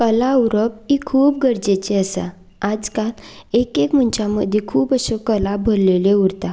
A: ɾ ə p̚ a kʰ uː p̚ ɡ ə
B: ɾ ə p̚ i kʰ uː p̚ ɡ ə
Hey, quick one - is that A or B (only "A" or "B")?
B